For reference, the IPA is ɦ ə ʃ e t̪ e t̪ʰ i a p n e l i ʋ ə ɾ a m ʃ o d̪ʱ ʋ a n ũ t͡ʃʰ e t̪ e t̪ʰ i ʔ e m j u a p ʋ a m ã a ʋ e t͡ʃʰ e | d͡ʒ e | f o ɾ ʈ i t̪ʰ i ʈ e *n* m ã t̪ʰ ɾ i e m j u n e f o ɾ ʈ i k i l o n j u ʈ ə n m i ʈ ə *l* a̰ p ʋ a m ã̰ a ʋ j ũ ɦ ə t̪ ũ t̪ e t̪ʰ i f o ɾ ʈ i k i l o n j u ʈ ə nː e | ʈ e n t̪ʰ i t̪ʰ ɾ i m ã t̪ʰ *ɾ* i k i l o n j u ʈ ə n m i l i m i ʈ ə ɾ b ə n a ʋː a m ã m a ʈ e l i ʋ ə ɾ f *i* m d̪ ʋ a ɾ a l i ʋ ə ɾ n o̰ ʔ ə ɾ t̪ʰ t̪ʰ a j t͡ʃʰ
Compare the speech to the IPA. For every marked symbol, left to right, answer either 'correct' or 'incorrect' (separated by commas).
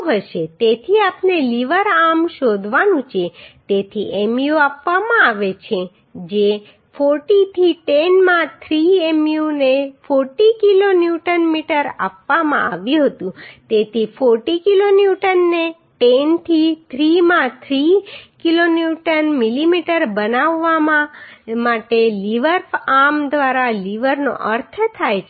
correct, incorrect, correct, incorrect